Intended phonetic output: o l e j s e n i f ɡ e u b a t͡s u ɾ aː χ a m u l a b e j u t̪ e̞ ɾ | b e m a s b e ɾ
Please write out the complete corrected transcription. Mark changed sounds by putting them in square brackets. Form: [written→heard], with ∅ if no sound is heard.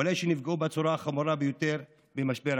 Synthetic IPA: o l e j [s→ʃ] e n i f ɡ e u b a t͡s u ɾ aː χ a m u [l→ɾ] a b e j [u→o] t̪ e̞ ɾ | b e m a [s→ʃ] b e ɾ